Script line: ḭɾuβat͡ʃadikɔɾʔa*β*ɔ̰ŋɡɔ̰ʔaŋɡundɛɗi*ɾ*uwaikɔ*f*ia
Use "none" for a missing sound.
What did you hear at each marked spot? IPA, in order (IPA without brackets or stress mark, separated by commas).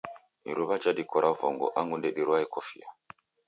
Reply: v, ɾ, f